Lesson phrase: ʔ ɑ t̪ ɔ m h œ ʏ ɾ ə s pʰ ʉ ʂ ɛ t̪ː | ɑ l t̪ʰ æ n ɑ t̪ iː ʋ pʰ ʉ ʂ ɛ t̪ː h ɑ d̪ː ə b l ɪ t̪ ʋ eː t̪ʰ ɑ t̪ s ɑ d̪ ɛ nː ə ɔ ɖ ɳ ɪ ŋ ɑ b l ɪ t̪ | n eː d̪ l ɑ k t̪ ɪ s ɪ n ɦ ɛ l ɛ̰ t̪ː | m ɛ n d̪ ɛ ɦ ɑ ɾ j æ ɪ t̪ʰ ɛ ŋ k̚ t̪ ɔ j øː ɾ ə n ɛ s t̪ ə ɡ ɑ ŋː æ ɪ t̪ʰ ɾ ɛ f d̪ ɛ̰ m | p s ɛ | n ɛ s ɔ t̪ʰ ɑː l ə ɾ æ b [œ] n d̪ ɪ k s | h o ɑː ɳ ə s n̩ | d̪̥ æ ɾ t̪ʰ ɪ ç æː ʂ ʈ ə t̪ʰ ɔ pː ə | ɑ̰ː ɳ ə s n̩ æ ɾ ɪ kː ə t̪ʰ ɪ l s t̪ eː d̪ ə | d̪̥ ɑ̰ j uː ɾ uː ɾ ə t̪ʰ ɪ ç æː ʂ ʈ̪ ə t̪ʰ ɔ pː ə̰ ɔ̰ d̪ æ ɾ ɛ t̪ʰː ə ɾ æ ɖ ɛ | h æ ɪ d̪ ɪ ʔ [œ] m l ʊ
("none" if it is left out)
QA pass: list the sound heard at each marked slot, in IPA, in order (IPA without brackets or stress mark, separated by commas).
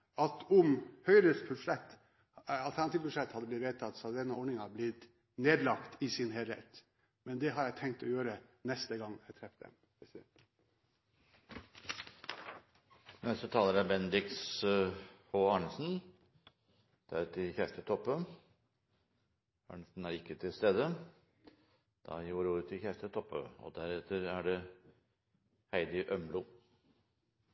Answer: ɛ, œ